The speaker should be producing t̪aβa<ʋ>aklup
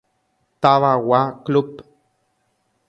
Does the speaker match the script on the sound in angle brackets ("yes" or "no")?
no